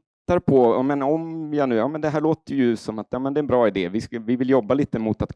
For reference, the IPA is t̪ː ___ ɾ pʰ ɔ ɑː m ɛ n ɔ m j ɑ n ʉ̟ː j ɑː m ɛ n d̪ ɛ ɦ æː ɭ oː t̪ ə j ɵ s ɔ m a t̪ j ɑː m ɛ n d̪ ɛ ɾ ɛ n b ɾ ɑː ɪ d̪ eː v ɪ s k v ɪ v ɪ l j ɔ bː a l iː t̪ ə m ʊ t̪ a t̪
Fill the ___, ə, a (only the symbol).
a